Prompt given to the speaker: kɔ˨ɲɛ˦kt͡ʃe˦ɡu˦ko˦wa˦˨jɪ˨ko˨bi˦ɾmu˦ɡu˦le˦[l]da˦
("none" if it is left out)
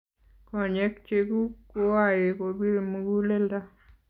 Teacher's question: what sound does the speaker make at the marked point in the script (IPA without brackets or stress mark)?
l